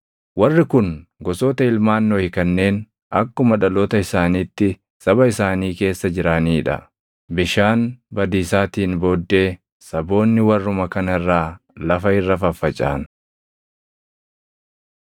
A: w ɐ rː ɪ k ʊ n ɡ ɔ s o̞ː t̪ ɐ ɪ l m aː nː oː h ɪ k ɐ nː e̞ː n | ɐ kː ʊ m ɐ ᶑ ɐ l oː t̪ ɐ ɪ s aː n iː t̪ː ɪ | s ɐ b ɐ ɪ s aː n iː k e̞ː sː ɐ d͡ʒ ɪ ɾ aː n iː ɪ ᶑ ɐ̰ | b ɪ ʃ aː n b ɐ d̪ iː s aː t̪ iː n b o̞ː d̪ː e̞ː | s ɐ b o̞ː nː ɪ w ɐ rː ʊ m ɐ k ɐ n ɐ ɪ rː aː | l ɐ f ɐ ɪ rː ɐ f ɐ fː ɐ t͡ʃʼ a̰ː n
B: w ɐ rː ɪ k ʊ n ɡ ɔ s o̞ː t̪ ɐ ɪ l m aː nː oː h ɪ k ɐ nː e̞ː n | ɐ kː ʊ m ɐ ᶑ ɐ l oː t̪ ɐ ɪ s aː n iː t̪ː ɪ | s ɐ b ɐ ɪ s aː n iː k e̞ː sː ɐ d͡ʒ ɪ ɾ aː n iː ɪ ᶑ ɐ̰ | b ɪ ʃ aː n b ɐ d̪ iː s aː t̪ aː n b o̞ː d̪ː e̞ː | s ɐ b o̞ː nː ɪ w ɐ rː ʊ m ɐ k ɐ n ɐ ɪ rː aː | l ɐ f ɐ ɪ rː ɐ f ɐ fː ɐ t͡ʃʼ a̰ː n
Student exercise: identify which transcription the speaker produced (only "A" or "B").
A